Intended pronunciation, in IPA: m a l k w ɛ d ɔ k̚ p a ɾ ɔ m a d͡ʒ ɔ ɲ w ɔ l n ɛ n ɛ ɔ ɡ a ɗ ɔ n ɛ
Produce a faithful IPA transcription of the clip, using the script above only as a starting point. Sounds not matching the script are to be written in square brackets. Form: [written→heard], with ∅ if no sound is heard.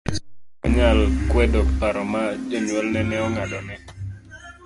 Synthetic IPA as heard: [m→ɲ] a l k w ɛ d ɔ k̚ p a ɾ ɔ m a d͡ʒ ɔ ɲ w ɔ l n ɛ n ɛ ɔ [ɡ→ŋ] a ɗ ɔ n ɛ